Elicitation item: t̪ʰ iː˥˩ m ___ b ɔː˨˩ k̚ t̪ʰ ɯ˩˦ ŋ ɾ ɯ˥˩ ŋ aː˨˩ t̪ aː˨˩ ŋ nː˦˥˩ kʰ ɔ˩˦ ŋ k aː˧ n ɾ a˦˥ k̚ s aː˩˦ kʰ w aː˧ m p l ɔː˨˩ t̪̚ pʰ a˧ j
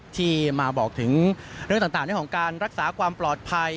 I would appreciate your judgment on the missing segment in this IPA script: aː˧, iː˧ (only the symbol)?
aː˧